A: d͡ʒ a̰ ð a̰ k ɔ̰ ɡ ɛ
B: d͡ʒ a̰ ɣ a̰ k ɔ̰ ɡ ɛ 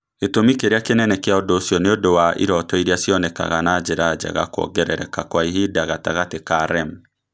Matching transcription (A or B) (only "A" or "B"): B